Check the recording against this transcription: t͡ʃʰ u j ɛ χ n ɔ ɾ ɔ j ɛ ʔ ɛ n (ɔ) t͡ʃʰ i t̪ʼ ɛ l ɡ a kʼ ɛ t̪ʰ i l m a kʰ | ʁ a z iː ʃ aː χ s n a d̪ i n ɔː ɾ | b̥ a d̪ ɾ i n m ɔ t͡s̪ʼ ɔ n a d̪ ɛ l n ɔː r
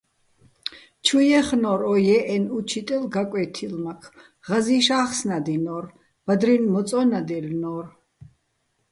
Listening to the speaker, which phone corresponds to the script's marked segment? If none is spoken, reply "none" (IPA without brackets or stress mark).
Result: u